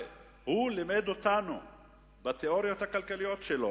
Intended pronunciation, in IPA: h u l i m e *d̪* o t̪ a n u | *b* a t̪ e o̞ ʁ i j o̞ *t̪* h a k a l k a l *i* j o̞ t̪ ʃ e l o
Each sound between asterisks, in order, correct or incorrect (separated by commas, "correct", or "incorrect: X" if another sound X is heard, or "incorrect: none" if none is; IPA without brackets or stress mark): correct, correct, correct, correct